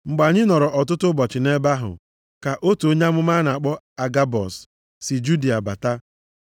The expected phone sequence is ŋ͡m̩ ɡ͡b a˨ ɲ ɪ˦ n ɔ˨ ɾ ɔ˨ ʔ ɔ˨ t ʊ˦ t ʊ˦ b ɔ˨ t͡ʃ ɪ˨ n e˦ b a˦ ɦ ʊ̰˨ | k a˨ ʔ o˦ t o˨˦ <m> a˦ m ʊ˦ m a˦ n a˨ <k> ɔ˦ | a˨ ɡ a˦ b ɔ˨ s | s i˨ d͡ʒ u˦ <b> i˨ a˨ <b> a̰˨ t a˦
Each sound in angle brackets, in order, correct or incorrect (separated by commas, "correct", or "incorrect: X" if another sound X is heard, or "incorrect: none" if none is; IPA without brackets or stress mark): incorrect: ɲ, incorrect: k͡p, incorrect: d, correct